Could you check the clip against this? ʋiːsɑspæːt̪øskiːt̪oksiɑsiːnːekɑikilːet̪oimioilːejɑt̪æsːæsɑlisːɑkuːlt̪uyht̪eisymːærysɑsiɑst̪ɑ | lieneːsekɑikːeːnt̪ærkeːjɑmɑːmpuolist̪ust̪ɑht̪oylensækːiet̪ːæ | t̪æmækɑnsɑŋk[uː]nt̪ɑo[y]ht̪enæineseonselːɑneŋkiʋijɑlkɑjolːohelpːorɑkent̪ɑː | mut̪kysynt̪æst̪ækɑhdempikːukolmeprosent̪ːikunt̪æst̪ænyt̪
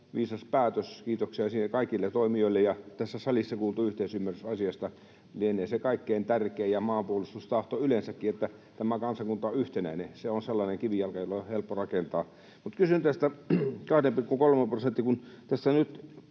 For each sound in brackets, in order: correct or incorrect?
incorrect: u, correct

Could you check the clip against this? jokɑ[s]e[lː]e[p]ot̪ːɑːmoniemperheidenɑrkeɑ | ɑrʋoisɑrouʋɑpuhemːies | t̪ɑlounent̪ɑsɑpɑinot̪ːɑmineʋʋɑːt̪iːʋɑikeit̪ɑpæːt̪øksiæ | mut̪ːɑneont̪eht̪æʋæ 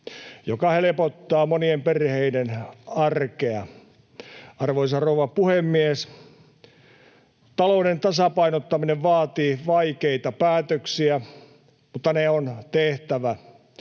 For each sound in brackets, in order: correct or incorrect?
incorrect: h, incorrect: l, correct

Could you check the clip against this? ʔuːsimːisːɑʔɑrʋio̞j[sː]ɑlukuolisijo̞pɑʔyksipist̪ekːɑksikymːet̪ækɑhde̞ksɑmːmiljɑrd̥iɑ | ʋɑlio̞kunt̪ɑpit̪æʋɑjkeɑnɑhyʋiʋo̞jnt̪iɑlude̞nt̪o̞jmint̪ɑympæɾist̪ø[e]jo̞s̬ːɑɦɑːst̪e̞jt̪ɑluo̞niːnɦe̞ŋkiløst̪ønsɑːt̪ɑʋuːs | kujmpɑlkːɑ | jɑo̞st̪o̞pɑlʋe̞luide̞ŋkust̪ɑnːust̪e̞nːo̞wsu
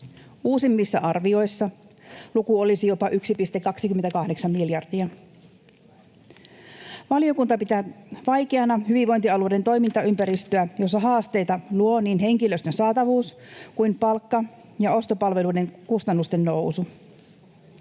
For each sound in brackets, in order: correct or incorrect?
correct, incorrect: æ

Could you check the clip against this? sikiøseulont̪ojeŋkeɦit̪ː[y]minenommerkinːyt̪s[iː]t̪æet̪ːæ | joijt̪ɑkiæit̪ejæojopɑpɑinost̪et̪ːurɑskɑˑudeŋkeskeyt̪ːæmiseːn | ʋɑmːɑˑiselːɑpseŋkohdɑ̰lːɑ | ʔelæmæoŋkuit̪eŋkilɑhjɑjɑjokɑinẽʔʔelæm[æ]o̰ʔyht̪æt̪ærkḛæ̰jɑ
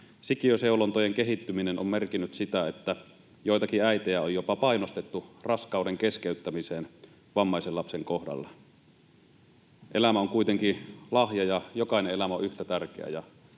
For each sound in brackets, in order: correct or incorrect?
correct, incorrect: i, correct

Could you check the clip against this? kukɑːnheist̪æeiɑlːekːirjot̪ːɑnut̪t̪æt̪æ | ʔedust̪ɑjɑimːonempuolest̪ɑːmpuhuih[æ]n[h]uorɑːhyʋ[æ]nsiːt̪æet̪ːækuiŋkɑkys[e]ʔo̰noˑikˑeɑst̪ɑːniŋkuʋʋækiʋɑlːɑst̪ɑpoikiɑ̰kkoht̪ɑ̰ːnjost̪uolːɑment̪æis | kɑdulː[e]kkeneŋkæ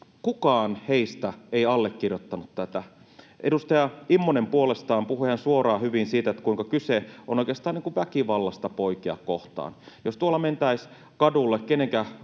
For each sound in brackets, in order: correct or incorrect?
correct, incorrect: s, incorrect: i, correct, correct

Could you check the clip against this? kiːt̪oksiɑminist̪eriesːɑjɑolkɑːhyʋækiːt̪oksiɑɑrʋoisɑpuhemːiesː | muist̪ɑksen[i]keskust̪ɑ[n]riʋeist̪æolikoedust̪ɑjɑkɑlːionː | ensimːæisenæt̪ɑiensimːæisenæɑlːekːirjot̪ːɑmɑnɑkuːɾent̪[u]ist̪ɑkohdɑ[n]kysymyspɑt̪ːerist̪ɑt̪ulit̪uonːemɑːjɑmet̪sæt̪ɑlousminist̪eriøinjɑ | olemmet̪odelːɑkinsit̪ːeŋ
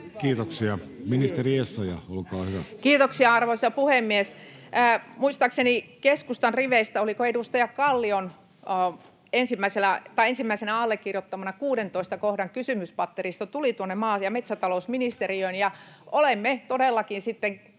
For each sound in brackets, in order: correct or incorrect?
correct, correct, incorrect: o, incorrect: ŋ

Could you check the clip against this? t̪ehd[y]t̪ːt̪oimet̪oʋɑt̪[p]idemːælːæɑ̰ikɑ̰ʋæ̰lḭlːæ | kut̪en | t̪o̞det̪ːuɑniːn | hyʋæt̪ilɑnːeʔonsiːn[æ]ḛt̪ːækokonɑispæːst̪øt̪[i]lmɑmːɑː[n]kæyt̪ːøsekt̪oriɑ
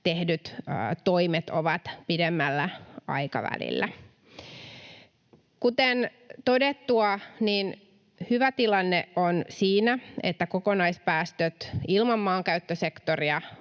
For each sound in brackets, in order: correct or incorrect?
correct, correct, correct, correct, incorrect: ŋ

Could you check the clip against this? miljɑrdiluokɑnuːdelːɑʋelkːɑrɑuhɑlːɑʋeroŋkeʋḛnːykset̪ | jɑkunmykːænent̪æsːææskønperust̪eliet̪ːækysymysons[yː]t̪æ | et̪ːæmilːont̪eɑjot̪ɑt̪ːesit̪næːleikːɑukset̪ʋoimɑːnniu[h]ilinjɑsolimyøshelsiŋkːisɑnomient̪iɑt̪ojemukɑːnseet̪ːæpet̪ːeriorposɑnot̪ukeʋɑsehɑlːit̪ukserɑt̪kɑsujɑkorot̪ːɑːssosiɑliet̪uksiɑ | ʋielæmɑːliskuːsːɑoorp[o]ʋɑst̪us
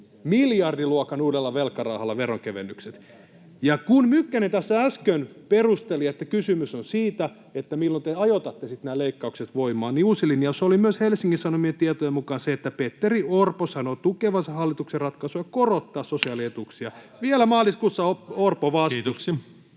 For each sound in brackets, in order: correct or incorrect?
incorrect: iː, incorrect: s, correct

